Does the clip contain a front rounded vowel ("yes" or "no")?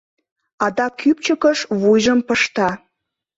yes